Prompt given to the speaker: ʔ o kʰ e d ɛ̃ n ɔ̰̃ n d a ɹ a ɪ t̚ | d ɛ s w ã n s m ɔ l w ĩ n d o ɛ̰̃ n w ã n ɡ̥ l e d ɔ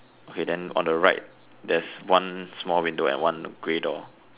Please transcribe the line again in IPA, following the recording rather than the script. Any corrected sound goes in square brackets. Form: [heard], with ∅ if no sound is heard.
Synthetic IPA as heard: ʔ o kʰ e d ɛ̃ n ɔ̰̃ n d [ə] ɹ a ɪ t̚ | d ɛ s w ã n s m ɔ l w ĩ n d o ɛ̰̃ n w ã n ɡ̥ [ɹ] e d ɔ